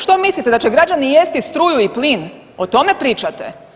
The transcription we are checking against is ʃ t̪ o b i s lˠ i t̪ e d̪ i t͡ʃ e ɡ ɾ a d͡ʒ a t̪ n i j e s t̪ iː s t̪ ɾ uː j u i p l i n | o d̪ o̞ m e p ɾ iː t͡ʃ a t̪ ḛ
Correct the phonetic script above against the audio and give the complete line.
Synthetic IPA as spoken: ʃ t̪ o m i s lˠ i t̪ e d̪ a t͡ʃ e ɡ ɾ a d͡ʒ a n i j e s t̪ i s t̪ ɾ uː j u i p l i n | o t̪ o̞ m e p ɾ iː t͡ʃ a t̪ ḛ